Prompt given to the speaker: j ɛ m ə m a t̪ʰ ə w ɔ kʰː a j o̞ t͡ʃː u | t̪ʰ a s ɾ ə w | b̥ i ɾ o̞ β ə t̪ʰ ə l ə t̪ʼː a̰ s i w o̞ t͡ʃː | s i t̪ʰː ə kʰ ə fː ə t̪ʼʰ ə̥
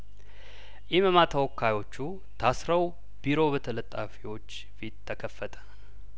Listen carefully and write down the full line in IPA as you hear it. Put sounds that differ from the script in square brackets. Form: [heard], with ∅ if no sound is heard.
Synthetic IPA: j ɛ m ə m a t̪ʰ ə w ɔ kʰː a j o̞ t͡ʃː u | t̪ʰ a s ɾ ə w | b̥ i ɾ o̞ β ə t̪ʰ ə l ə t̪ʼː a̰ [f] i w o̞ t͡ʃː | [f] i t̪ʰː ə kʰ ə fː ə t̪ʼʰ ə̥